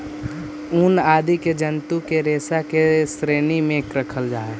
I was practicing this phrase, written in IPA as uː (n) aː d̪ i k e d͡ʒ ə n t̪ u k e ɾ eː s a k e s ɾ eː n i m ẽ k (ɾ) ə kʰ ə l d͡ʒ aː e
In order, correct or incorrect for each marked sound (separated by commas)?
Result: correct, correct